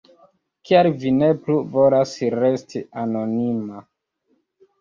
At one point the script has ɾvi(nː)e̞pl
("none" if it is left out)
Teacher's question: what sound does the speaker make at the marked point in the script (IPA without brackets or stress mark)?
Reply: n